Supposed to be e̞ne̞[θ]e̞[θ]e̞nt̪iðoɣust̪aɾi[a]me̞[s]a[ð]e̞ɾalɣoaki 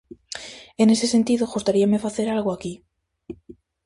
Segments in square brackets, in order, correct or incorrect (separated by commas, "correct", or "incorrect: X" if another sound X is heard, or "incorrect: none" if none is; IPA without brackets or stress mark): incorrect: s, incorrect: s, correct, incorrect: f, incorrect: θ